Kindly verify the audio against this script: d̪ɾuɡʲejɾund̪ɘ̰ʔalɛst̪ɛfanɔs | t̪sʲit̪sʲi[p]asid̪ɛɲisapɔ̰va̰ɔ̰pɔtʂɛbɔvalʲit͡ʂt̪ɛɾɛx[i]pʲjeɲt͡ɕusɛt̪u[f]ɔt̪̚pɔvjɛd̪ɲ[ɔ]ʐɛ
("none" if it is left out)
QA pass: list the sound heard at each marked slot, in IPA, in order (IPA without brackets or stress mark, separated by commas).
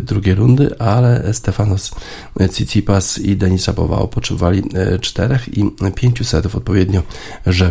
p, i, f, ɔ